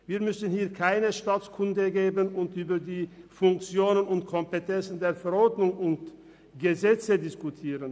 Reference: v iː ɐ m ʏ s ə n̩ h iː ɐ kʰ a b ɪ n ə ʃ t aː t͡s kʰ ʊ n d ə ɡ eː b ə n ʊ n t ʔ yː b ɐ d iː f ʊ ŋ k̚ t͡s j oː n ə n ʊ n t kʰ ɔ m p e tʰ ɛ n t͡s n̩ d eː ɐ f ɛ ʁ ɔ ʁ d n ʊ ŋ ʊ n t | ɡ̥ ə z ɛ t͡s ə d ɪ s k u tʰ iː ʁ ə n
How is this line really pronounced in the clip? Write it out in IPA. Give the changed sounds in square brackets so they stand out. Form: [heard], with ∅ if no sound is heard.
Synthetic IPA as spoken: v iː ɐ m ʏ s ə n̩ h iː ɐ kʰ a [∅] ɪ n ə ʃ t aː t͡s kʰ ʊ n d ə ɡ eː b ə n ʊ n t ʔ yː b ɐ d iː f ʊ ŋ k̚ t͡s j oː n ə n ʊ n t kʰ ɔ m p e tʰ ɛ n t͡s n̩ d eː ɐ f ɛ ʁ ɔ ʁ d n ʊ ŋ ʊ n t | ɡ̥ ə z ɛ t͡s ə d ɪ s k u tʰ iː ʁ ə n